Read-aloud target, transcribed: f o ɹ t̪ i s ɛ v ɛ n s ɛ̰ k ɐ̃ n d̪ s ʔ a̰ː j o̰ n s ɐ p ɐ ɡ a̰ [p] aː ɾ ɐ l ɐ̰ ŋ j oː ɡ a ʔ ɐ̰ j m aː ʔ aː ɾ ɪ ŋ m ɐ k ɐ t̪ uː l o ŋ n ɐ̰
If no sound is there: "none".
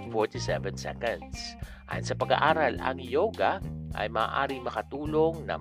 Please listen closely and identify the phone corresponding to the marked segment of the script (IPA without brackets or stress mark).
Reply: ʔ